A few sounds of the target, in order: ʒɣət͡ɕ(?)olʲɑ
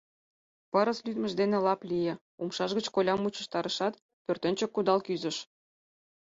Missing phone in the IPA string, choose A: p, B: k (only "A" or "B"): B